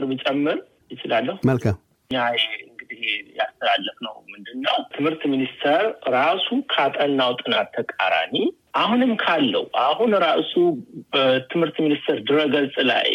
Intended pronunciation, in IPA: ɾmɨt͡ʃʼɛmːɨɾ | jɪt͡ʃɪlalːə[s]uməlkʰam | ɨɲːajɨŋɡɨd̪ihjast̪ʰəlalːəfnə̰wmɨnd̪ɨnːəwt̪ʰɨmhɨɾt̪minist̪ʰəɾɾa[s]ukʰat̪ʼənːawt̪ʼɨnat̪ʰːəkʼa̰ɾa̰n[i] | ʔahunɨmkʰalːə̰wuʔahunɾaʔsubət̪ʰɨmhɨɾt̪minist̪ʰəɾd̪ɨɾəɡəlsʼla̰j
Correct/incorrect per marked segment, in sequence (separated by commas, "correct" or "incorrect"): incorrect, correct, correct